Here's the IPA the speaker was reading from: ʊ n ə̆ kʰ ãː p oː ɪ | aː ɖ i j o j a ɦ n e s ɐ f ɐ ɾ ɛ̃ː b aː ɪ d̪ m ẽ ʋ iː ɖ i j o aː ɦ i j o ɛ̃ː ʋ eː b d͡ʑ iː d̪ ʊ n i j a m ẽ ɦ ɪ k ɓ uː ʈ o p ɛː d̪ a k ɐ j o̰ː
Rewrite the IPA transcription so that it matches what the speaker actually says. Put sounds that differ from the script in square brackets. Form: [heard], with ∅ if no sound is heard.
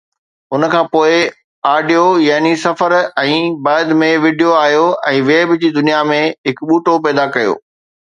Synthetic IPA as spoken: ʊ n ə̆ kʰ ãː p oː ɪ | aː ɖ i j o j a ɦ n [i] s ɐ f [ə] ɾ ɛ̃ː b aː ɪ d̪ m ẽ ʋ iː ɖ i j o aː ɦ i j o ɛ̃ː ʋ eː b d͡ʑ iː d̪ ʊ n i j a m ẽ ɦ ɪ k ɓ uː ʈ o p ɛː d̪ a k ɐ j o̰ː

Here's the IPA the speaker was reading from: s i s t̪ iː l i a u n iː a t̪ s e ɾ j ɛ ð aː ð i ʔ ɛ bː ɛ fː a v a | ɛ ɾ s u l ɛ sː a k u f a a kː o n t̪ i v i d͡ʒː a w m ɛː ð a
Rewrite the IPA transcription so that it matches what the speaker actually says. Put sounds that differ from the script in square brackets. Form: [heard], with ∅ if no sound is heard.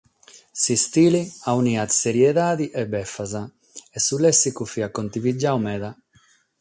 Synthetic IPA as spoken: s i s t̪ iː l i a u n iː a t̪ s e ɾ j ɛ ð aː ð i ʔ ɛ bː ɛ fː a [z] a | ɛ [∅] s u l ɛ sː [i] k u f [i] a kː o n t̪ i v i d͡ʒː a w m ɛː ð a

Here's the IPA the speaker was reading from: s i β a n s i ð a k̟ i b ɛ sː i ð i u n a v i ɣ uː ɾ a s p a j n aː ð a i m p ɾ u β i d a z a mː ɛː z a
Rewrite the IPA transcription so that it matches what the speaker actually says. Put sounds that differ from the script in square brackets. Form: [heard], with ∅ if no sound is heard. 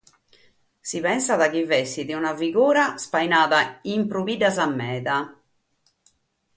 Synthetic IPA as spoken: s i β [ɛ] n s [a] ð a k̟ i [v] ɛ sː i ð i u n a v i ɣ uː ɾ a s p a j n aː ð a i m p ɾ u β i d a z a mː ɛː [ð] a

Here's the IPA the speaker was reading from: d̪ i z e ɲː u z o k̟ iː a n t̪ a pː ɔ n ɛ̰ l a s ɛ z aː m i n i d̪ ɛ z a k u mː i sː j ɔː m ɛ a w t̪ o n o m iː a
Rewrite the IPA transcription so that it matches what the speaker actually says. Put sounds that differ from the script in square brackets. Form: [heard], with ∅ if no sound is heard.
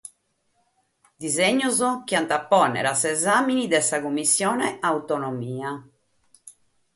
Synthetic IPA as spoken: d̪ i z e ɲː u z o k̟ [i] a n t̪ a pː ɔ n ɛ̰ [ɾ] a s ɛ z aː m i n i d̪ ɛ [s] a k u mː i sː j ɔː [n] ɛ a w t̪ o n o m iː a

